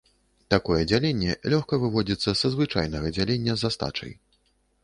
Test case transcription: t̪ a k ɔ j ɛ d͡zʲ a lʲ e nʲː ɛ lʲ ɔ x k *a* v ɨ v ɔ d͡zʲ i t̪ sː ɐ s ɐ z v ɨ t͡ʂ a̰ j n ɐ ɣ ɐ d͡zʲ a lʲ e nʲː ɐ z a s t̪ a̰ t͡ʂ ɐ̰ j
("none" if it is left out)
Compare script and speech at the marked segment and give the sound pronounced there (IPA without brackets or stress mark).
ɐ